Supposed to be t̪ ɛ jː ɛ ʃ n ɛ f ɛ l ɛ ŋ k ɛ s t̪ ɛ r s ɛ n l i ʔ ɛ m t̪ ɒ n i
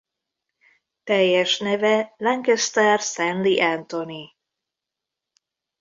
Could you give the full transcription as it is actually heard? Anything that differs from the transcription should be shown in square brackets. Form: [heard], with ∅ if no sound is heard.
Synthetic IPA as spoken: t̪ ɛ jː ɛ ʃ n ɛ [v] ɛ l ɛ ŋ k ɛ s t̪ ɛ r s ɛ n l i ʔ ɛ [n] t̪ [o] n i